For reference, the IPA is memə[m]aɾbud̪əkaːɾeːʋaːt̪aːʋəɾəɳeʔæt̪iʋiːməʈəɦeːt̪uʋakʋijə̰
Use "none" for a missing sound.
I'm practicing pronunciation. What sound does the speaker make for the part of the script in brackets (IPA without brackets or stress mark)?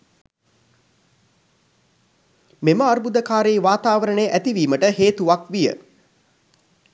none